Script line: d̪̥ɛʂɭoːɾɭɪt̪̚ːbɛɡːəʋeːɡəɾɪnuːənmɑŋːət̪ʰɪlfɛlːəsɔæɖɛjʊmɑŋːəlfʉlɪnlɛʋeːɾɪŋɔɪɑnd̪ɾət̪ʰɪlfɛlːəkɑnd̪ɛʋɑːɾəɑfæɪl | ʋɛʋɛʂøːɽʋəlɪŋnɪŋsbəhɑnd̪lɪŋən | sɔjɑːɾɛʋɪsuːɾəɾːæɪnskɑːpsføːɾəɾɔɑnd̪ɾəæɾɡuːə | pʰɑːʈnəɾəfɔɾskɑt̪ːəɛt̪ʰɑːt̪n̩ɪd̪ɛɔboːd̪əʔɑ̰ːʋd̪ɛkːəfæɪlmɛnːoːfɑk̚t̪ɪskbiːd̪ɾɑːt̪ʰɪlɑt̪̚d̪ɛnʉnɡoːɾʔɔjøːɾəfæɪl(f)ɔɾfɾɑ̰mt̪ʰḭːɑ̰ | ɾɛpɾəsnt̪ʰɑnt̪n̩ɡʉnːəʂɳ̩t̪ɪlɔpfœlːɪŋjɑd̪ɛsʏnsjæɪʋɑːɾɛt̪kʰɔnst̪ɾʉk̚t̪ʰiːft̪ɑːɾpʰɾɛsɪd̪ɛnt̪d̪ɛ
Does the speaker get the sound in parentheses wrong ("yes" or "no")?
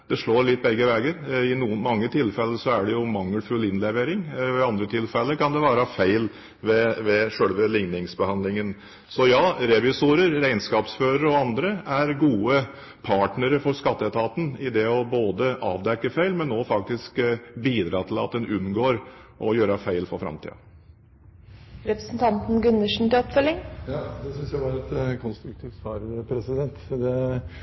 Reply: no